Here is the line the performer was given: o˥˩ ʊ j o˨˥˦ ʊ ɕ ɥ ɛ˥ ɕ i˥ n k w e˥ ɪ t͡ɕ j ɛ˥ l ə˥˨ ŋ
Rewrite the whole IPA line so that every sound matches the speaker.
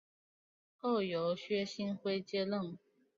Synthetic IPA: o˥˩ ʊ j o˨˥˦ ʊ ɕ ɥ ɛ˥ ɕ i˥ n x w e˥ ɪ t͡ɕ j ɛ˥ l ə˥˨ ŋ